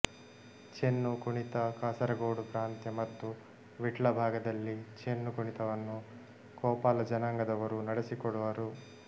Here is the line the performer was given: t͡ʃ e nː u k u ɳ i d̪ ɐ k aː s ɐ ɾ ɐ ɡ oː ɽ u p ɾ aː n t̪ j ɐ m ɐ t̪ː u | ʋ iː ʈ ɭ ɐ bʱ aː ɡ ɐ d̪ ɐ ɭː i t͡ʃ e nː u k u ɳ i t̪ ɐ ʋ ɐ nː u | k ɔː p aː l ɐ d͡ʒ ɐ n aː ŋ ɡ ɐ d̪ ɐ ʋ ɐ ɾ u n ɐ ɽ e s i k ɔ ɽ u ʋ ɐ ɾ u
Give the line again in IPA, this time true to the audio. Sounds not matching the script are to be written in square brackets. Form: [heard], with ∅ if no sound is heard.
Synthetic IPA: t͡ʃ e nː u k u ɳ i [t̪] ɐ k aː s ɐ ɾ ɐ ɡ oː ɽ u p ɾ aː n t̪ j ɐ m ɐ t̪ː u | ʋ [i] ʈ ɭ ɐ bʱ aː ɡ ɐ d̪ ɐ [lː] i t͡ʃ e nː u k u ɳ i t̪ ɐ ʋ ɐ nː u | k ɔː p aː l ɐ d͡ʒ ɐ n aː ŋ ɡ ɐ d̪ ɐ ʋ ɐ ɾ u n ɐ ɽ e s i k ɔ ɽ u ʋ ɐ ɾ u